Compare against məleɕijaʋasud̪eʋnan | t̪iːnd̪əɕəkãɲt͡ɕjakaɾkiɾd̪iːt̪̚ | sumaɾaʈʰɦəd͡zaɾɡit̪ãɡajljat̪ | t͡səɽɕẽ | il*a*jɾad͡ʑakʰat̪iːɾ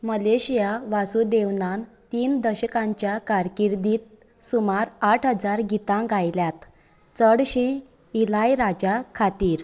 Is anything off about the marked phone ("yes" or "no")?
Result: no